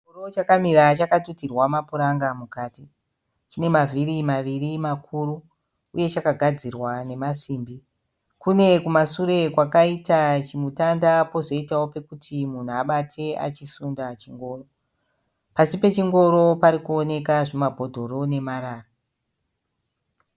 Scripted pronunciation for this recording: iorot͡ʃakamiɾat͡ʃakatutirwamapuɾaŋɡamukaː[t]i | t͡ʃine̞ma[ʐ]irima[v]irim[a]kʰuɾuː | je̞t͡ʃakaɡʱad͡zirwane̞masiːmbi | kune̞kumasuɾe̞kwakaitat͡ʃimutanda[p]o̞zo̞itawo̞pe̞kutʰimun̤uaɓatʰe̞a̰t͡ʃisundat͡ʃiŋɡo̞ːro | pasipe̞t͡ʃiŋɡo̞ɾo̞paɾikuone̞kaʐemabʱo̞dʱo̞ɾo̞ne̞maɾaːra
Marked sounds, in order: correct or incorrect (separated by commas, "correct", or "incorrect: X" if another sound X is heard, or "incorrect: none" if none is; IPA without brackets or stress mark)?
correct, incorrect: v, incorrect: ʋ, correct, correct